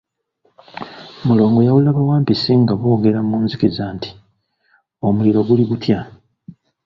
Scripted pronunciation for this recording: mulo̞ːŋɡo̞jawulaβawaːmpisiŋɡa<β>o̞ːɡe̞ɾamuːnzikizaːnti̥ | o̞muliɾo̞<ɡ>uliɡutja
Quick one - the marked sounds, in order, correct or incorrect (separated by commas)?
correct, correct